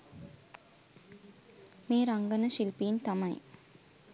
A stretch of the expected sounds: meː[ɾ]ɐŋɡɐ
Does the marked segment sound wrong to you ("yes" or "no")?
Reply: no